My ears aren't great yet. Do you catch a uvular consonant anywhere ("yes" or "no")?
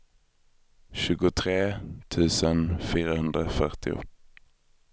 yes